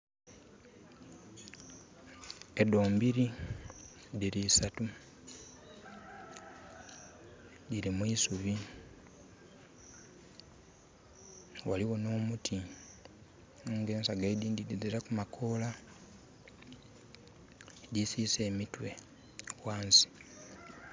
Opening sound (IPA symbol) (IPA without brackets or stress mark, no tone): e